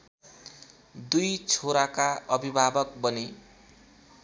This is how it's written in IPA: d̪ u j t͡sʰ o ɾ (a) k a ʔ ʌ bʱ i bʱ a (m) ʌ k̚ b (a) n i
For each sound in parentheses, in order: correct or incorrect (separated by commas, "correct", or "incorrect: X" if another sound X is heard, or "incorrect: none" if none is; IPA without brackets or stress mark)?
correct, incorrect: b, incorrect: ʌ